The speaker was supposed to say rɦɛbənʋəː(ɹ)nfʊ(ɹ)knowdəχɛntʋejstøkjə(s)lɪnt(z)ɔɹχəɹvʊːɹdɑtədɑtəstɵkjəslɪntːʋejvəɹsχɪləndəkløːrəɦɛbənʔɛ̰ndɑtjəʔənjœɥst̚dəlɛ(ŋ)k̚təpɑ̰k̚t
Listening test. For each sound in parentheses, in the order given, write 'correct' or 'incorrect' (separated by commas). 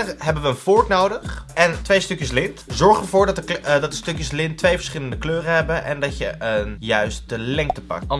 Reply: incorrect, correct, correct, correct, correct